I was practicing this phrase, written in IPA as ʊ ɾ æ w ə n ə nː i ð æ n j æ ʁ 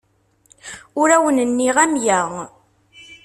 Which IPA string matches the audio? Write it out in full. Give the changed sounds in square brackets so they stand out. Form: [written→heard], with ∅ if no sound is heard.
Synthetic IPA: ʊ ɾ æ w ə n ə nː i [ð→ʁ] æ [n→m] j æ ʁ